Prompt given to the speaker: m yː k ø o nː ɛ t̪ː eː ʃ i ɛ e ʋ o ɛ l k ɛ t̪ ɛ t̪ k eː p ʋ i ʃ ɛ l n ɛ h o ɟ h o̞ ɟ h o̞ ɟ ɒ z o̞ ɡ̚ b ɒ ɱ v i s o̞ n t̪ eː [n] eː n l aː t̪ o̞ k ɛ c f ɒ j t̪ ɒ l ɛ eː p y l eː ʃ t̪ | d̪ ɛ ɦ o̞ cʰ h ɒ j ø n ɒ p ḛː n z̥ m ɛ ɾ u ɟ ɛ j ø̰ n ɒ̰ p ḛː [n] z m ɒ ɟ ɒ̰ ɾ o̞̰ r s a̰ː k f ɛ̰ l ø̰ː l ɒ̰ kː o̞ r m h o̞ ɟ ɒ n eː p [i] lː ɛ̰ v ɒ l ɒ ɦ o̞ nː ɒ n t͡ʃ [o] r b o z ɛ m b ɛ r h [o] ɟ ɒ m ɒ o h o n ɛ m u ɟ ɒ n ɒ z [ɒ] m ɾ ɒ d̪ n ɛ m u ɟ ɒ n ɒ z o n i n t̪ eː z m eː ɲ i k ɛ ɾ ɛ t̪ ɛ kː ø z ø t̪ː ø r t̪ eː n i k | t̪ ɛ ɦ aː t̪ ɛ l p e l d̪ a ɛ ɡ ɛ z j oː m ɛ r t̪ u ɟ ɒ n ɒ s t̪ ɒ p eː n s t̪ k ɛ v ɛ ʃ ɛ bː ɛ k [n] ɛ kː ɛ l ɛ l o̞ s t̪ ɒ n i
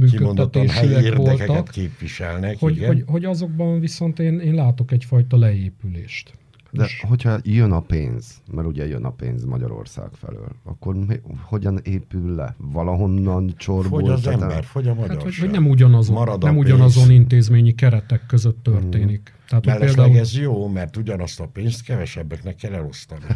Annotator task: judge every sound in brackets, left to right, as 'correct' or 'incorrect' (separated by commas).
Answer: correct, correct, incorrect, correct, correct, incorrect, correct